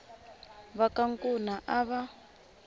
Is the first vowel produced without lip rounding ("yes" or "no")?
yes